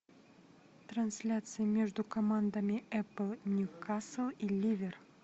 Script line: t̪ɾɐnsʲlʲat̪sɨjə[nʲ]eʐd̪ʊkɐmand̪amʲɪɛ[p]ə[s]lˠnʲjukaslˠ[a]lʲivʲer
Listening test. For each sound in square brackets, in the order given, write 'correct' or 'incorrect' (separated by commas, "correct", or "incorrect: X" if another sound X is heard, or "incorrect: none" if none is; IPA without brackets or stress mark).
incorrect: mʲ, correct, incorrect: none, incorrect: i